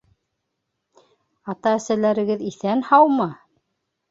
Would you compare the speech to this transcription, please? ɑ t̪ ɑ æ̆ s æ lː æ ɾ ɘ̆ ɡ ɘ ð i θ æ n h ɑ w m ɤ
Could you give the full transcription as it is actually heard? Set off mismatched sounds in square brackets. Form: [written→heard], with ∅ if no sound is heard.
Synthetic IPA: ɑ t̪ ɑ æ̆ s æ [lː→l] æ ɾ ɘ̆ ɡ ɘ ð i θ æ n h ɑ w m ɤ